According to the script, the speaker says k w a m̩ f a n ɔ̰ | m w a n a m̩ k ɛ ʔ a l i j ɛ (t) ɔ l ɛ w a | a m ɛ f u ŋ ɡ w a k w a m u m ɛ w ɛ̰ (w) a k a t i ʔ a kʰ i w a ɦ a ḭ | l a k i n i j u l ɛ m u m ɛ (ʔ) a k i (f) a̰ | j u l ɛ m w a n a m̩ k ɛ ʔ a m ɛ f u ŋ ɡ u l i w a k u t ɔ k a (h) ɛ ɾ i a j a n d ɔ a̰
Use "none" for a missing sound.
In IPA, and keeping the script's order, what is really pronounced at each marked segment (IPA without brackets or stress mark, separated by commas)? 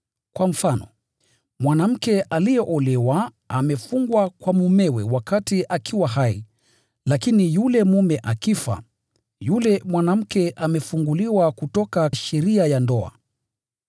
ʔ, w, ʔ, f, ʃ